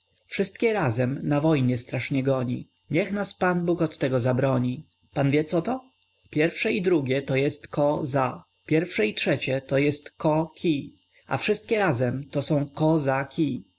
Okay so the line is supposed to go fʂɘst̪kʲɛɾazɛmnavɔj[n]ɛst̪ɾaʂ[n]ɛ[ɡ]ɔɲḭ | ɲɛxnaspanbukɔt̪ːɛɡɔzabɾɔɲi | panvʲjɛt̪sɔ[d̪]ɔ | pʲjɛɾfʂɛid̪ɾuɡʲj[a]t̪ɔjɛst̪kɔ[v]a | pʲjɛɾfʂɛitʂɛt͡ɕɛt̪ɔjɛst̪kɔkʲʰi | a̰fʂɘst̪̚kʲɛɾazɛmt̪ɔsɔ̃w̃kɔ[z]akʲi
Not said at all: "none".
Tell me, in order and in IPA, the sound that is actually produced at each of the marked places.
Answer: ɲ, ɲ, ɡ, t̪, ɛ, z, z

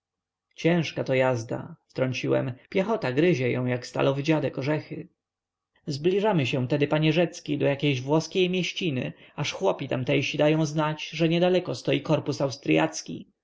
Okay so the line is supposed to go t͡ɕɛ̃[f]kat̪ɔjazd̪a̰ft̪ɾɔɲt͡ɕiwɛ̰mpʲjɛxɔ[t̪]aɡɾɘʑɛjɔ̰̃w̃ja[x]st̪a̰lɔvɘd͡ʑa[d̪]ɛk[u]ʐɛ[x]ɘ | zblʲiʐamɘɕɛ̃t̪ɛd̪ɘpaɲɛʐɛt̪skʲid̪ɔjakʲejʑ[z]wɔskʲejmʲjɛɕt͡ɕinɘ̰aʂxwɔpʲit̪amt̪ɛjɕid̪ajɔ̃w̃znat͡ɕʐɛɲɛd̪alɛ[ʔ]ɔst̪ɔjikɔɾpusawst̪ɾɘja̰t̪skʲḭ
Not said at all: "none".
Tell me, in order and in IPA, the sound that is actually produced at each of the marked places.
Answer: ʂ, t̪, k, d̪, ɔ, x, v, k

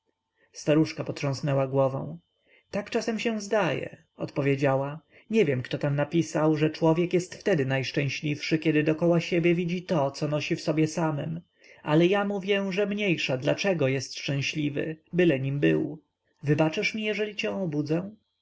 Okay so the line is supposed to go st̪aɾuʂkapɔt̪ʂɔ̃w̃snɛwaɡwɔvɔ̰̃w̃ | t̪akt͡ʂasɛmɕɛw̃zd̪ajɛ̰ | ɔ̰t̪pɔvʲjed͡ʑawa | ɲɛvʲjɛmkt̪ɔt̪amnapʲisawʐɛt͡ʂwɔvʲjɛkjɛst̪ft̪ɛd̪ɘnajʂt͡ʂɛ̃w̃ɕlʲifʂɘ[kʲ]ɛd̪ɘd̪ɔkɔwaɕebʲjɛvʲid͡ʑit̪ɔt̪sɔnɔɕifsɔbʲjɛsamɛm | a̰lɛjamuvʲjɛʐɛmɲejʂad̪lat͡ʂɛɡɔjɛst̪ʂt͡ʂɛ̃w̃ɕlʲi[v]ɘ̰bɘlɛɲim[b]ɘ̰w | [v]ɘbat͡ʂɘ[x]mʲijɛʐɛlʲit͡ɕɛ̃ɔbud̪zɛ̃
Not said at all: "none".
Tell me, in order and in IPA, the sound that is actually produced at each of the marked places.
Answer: kʲ, v, b, v, ʂ

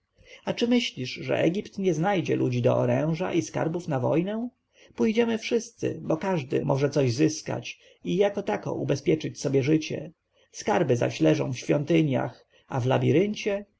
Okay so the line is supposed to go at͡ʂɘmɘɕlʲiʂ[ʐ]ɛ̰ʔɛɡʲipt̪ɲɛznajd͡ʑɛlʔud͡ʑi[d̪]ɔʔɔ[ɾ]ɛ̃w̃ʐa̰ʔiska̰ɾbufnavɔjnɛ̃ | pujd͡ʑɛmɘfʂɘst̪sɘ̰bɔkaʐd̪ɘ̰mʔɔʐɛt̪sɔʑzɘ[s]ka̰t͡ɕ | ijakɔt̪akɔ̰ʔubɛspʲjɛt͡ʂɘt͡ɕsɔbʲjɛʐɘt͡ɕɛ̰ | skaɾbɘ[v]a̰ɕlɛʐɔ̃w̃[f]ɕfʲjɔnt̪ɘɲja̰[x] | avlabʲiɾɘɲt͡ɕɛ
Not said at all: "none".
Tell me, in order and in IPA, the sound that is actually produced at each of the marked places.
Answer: ʐ, d̪, ɾ, s, z, f, x

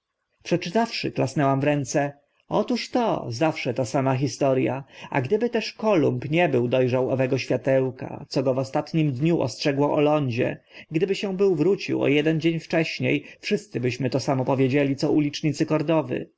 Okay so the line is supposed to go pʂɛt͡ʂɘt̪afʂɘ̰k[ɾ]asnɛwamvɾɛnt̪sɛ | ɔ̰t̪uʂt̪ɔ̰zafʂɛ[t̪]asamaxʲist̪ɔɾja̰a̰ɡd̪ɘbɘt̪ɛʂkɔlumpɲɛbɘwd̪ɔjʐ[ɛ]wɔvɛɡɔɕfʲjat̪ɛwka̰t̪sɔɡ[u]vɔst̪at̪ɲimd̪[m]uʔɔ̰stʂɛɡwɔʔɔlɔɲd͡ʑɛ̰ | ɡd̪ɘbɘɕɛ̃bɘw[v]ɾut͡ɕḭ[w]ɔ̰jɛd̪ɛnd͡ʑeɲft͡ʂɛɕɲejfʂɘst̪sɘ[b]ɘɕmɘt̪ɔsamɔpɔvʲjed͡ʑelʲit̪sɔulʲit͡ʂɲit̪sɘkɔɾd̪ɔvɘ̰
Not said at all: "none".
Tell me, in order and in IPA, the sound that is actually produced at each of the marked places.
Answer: l, t̪, a, ɔ, ɲ, v, w, b

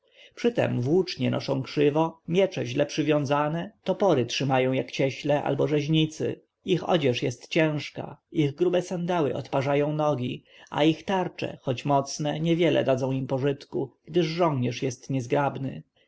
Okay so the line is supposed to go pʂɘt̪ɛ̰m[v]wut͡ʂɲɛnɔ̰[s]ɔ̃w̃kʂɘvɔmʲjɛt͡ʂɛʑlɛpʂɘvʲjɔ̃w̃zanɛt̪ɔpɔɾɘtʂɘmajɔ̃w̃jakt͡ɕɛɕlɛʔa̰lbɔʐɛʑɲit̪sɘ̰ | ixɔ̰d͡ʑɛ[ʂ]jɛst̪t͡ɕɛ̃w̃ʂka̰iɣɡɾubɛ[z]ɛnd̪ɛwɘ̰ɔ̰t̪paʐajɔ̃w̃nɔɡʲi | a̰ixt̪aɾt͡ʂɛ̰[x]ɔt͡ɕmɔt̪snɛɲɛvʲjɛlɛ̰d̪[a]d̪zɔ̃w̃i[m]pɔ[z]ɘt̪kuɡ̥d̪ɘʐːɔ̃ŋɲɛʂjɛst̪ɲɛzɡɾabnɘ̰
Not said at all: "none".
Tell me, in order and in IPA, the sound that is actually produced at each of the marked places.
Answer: v, ʂ, ʂ, s, x, a, m, ʐ

